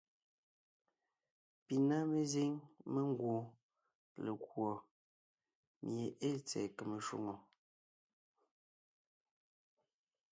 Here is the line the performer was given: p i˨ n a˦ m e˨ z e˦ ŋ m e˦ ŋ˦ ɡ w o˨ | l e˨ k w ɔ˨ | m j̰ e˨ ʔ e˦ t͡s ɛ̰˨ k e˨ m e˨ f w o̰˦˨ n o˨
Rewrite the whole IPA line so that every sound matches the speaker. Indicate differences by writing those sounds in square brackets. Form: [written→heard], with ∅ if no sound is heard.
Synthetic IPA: p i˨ n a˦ m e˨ z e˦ ŋ m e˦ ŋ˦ ɡ w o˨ | l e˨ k w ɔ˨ | m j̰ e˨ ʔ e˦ t͡s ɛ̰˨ k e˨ m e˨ [f→ʃ] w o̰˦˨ [n→ŋ] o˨